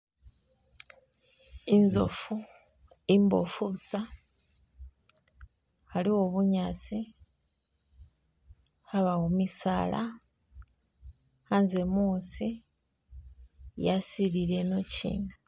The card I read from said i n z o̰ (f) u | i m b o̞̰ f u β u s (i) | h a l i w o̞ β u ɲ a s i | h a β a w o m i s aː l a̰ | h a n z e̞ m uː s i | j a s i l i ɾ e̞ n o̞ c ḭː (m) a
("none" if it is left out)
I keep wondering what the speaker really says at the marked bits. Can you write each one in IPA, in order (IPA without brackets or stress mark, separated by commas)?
f, a, n